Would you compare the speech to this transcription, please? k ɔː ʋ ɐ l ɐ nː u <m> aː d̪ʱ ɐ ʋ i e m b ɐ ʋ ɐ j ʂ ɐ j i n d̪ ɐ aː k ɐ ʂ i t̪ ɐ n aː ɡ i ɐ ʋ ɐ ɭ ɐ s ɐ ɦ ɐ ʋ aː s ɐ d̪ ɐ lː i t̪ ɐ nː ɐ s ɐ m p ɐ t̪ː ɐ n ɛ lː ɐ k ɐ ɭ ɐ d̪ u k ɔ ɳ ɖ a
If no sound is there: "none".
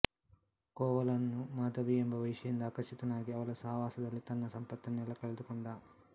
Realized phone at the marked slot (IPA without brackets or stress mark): m